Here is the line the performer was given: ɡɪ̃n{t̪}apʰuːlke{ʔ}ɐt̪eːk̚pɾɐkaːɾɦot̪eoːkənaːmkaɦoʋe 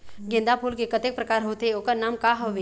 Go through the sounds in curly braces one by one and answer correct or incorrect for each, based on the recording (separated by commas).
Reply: incorrect, incorrect